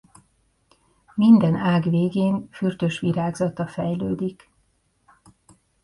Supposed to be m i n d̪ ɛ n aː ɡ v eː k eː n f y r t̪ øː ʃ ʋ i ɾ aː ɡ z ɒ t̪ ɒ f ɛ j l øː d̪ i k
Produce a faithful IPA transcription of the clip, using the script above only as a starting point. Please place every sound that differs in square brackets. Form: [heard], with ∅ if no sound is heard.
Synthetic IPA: m i n d̪ ɛ n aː ɡ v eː [ɡ] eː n f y r t̪ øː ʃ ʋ i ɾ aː ɡ z ɒ t̪ ɒ f ɛ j l øː d̪ i k